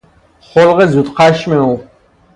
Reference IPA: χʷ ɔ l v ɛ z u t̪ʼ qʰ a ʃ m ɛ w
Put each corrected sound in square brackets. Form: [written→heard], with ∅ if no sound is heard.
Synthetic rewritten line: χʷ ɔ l [v→ʁ] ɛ z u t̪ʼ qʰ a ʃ m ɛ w